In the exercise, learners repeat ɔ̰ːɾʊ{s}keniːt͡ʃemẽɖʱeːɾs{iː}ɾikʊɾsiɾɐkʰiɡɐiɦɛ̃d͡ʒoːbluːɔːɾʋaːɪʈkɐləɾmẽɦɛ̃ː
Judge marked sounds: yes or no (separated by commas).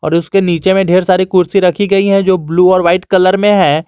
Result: yes, no